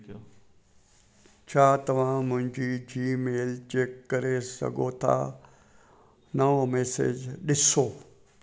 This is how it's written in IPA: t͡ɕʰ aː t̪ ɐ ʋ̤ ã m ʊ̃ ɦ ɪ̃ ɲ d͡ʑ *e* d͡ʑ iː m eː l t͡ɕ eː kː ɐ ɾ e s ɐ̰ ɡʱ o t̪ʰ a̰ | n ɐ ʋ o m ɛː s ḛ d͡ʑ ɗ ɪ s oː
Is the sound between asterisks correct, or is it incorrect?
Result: incorrect: i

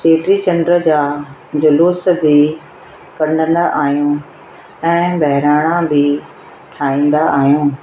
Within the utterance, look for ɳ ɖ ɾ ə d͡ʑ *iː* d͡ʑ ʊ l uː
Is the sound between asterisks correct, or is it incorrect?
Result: incorrect: aː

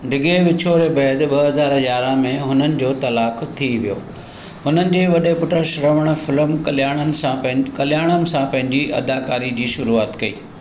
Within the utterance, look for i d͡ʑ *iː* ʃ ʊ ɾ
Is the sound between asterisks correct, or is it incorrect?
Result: correct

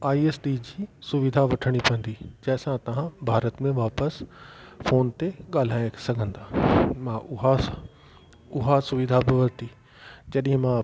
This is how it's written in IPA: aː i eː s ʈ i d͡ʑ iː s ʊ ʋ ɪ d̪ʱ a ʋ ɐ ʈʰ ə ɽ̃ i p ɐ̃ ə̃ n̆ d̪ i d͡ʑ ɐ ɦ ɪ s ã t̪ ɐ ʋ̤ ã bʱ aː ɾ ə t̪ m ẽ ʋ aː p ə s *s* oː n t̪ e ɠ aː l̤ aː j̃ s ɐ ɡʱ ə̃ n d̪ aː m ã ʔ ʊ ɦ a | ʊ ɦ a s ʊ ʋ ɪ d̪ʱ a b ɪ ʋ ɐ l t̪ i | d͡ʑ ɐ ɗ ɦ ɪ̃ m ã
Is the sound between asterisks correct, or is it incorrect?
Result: incorrect: f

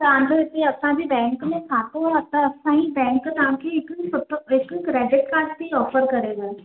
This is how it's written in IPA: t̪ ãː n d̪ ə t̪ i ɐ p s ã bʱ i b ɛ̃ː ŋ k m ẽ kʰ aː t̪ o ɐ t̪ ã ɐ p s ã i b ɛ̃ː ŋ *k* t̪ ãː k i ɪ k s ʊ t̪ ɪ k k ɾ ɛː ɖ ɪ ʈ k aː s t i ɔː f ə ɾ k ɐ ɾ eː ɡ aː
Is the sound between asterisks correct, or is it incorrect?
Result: correct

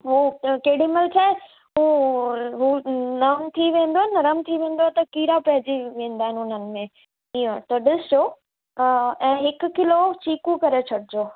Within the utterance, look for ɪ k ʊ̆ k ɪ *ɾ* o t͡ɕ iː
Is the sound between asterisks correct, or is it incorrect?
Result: incorrect: l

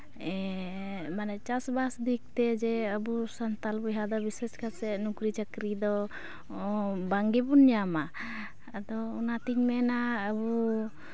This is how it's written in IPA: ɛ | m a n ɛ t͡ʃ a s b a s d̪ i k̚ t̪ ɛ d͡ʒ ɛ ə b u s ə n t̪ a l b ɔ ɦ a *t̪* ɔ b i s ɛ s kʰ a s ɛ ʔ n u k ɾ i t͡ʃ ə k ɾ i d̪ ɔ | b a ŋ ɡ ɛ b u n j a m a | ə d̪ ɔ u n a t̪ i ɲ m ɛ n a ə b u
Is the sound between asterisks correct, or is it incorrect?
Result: incorrect: d̪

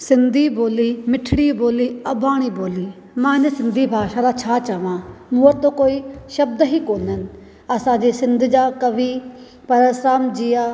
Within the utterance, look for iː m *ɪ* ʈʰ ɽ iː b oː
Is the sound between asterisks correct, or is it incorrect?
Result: correct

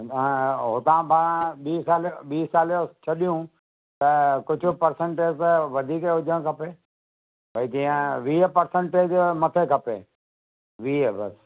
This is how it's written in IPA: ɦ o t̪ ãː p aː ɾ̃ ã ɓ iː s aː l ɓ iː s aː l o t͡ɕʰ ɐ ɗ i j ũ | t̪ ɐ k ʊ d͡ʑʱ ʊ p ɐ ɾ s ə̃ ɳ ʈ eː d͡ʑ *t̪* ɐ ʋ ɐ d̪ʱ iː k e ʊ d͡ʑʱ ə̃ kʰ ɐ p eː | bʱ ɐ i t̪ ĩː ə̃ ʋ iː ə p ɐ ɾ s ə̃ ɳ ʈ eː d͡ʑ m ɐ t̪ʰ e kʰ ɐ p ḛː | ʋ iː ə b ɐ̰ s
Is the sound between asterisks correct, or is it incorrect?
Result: correct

